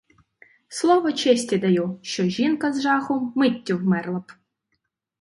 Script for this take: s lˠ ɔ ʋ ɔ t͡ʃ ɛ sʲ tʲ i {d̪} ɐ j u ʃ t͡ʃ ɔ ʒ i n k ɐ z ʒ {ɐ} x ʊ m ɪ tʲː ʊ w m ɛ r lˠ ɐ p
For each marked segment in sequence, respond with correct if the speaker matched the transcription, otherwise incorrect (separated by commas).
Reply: correct, incorrect